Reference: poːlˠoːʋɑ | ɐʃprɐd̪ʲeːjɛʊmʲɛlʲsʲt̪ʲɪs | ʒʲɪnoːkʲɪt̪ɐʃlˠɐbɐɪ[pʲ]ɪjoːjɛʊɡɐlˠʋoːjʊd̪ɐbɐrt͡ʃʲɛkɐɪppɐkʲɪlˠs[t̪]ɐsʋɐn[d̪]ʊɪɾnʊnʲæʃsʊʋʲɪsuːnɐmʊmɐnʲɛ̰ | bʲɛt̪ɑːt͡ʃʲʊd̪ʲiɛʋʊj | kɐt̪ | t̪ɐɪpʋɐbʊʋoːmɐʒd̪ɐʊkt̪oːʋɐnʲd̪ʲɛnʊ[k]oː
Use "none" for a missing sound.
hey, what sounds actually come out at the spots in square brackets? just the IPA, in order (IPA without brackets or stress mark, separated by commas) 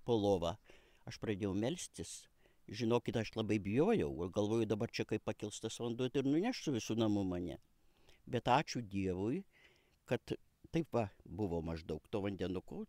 bʲ, t̪, d̪, k